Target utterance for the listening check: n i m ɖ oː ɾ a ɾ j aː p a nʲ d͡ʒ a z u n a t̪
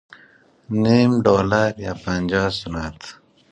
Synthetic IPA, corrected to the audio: n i m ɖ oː l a ɾ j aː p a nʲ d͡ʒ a s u n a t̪